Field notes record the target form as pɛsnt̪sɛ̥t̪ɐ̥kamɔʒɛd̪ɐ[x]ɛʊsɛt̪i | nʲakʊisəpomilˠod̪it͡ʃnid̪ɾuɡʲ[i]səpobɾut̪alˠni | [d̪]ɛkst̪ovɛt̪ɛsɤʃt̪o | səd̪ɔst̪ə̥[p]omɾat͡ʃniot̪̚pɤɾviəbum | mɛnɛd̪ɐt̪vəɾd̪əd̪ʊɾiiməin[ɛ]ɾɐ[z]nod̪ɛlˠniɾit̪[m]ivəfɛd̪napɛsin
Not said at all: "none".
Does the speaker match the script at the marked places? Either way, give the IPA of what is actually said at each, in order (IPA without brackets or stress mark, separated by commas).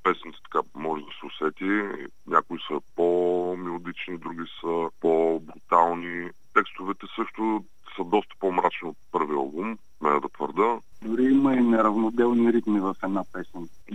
s, i, t̪, p, ɛ, v, m